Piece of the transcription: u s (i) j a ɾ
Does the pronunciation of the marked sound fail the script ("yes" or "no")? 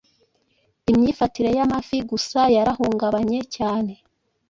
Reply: yes